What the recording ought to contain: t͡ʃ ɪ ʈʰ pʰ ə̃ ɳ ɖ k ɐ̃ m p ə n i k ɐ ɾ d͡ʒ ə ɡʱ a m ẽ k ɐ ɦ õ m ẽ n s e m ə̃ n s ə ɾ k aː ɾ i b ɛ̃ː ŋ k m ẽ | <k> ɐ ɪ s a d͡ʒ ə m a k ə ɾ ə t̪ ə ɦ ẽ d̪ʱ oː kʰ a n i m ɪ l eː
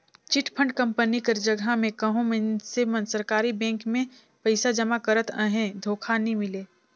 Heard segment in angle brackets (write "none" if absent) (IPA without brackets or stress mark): p